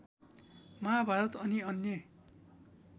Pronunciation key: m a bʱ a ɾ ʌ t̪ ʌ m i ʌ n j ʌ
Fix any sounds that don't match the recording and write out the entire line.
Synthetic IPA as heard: m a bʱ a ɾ ʌ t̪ ʌ n i ʌ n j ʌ